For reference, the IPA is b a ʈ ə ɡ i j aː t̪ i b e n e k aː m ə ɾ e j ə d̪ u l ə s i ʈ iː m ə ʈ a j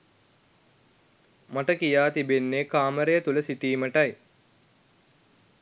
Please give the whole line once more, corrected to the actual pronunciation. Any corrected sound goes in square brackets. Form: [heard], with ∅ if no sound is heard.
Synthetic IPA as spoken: [m] a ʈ ə [k] i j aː t̪ i b e [nː] e k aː m ə ɾ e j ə [t̪] u l ə s i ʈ iː m ə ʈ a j